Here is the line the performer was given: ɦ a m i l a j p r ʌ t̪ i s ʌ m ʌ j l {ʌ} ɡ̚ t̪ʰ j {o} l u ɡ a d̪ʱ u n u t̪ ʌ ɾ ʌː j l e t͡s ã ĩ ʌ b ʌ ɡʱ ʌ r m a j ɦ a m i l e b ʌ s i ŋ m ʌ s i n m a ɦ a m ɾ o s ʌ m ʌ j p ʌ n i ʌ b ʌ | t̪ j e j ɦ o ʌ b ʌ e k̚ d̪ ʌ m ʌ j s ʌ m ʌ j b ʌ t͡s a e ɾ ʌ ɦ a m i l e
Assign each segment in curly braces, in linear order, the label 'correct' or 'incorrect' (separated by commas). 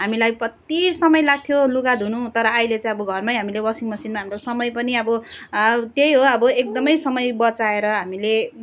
incorrect, correct